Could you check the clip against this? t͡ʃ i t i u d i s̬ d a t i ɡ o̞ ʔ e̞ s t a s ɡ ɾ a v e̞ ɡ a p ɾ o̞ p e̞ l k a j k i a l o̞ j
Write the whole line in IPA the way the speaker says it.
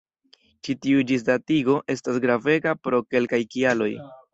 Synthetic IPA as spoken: t͡ʃ i t i u d͡ʒ i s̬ d a t i ɡ o̞ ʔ e̞ s t a s ɡ ɾ a v e̞ ɡ a p ɾ o̞ k e̞ l k a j k i a l o̞ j